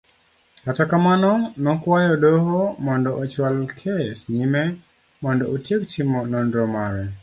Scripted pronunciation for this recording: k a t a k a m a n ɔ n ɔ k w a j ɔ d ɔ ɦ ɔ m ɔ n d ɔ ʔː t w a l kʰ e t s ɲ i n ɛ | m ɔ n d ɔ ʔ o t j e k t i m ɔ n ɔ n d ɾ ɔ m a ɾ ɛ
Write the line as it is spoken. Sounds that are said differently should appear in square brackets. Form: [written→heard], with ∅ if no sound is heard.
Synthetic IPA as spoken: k a t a k a m a n ɔ n ɔ k w a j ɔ d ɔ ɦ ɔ m ɔ n d ɔ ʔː [t→t͡ʃ] w a l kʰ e [t→∅] s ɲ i [n→m] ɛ | m ɔ n d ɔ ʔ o t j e k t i m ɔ n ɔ n d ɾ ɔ m a ɾ ɛ